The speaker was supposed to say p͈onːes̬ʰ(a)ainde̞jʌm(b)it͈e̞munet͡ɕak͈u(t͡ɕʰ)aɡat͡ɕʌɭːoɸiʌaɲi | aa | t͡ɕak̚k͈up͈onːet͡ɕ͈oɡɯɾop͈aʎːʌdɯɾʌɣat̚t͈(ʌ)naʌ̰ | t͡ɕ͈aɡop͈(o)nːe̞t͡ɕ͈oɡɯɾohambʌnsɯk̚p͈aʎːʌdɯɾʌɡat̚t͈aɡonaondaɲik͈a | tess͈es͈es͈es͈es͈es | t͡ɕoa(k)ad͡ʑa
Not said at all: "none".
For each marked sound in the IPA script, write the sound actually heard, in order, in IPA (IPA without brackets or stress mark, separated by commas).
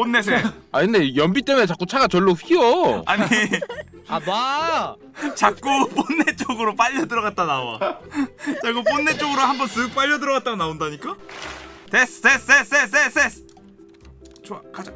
e, b, t͡ɕʰ, a, o, k